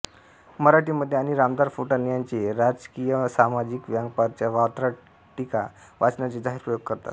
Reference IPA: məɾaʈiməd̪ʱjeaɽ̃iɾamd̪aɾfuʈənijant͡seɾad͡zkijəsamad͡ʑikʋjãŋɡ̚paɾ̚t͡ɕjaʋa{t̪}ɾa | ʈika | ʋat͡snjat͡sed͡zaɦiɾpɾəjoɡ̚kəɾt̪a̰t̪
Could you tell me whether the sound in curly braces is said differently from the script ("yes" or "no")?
no